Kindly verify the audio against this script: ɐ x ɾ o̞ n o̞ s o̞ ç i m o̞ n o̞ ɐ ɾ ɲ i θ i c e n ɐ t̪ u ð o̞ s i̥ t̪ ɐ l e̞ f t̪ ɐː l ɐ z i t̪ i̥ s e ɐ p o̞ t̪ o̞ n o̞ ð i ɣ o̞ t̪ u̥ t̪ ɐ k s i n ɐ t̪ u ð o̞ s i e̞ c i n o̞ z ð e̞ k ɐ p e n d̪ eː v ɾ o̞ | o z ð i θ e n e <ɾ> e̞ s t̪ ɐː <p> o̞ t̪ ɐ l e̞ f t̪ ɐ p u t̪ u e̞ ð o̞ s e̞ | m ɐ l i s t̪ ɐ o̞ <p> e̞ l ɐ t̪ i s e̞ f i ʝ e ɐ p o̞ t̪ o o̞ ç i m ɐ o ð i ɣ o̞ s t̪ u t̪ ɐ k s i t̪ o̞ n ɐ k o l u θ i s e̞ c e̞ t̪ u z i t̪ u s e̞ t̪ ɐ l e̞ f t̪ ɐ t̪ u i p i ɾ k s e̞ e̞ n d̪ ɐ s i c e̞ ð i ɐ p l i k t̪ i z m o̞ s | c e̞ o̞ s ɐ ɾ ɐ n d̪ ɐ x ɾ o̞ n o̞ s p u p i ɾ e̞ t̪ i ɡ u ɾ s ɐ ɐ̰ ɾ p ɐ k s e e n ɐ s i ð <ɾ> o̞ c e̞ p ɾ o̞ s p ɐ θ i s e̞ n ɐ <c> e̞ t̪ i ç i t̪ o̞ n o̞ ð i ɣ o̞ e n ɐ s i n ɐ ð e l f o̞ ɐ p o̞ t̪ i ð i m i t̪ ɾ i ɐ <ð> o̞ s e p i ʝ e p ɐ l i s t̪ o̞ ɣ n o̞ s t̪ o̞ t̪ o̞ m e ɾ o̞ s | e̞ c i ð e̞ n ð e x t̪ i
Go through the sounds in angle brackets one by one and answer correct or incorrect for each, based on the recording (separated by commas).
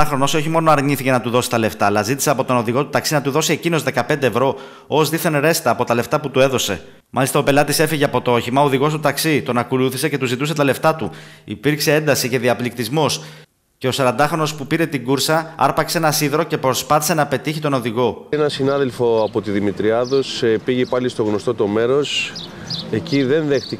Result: correct, correct, correct, correct, incorrect, correct